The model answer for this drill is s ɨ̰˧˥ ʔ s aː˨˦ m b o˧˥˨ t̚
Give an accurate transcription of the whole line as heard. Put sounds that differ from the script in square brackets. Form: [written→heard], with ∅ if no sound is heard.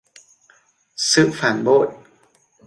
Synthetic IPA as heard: s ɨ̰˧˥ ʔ [s→f] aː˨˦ [m→n] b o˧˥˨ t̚